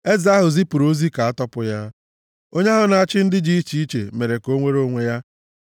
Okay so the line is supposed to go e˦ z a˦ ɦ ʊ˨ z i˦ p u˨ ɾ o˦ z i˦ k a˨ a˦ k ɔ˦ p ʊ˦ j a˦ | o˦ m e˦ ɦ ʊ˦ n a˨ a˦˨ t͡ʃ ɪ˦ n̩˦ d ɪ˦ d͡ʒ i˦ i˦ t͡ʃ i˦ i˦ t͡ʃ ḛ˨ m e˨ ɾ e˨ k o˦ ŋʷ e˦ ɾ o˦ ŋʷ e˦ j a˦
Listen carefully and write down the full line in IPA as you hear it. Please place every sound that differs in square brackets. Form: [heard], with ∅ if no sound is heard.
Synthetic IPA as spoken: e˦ z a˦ ɦ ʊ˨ z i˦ p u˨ ɾ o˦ z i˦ k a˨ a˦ [t] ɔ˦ p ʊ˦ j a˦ | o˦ [ɲ] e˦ ɦ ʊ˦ n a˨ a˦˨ t͡ʃ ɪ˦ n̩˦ d ɪ˦ d͡ʒ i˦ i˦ t͡ʃ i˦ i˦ t͡ʃ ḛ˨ m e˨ ɾ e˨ k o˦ ŋʷ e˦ ɾ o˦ ŋʷ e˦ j a˦